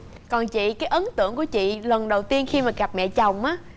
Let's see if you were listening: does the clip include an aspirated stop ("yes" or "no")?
no